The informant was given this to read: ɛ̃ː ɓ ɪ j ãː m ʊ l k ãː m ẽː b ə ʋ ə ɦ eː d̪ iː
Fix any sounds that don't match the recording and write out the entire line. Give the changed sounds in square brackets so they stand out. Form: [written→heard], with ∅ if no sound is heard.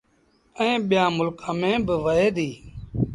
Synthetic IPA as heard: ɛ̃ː ɓ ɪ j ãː m ʊ l k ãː m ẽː b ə ʋ ə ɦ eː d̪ iː

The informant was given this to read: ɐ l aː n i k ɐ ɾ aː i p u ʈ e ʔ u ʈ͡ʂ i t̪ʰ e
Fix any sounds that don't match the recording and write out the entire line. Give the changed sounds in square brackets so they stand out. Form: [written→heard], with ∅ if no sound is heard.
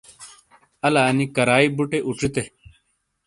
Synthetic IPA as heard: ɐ l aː n i k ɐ ɾ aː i [p→b] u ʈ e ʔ u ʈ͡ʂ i [t̪ʰ→t̪] e

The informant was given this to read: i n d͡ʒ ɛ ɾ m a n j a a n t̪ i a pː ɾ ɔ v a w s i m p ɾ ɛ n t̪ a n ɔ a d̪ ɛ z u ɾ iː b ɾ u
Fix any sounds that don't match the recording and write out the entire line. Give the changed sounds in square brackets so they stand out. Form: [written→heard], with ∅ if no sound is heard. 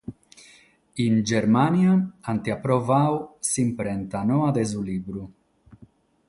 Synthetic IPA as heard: i n d͡ʒ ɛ ɾ m a n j a a n t̪ i a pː ɾ ɔ v a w s i m p ɾ ɛ n t̪ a n ɔ a d̪ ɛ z u [ɾ→l] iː b ɾ u

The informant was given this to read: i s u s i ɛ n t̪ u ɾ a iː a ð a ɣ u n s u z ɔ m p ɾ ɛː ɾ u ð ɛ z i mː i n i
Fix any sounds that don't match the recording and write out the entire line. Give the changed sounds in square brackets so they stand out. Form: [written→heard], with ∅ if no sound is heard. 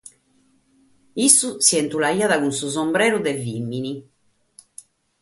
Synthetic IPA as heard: i s u s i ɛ n t̪ u [ɾ→l] a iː a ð a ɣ u n s u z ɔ m [p→b] ɾ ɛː ɾ u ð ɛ [z→v] i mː i n i

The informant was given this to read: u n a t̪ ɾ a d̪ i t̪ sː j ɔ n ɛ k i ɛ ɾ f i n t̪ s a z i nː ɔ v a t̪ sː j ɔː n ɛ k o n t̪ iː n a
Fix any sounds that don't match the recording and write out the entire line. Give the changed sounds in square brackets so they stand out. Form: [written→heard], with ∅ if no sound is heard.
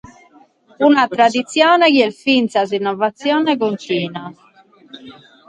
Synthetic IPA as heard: u n a t̪ ɾ a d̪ i t̪ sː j [ɔ→ɔː] n ɛ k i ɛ [ɾ→l] f i n t̪ s a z i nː ɔ v a t̪ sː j ɔː n ɛ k o n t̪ iː n a

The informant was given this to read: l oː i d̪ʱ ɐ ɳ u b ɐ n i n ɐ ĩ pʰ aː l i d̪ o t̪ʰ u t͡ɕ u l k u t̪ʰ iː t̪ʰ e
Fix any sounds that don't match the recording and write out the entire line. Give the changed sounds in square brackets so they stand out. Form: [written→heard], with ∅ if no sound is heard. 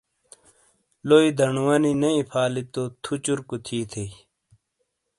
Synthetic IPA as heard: l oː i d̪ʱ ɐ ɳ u [b→w] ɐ n i n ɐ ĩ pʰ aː l i [d̪→t̪] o t̪ʰ u t͡ɕ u [l→ɾ] k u t̪ʰ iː t̪ʰ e

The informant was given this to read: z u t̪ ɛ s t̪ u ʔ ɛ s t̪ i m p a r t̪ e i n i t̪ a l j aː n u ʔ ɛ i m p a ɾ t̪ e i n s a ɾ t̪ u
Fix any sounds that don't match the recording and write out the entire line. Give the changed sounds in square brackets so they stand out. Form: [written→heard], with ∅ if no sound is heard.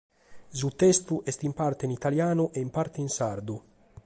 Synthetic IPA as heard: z u t̪ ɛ s t̪ u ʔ ɛ s t̪ i m p a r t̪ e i n i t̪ a l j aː n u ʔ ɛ i m p a ɾ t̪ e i n s a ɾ [t̪→d̪] u

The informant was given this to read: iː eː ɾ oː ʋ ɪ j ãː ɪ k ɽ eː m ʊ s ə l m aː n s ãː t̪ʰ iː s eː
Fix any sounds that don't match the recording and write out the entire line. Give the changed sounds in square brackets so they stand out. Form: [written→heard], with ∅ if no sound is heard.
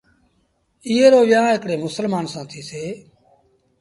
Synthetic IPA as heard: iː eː ɾ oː ʋ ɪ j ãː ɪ k ɽ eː m ʊ s ə l m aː n s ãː t̪ʰ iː s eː

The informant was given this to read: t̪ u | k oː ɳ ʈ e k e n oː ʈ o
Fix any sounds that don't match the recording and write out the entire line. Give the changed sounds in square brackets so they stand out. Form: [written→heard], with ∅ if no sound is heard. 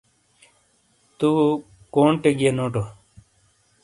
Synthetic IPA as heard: t̪ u | k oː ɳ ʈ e [k→ɡ] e n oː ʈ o

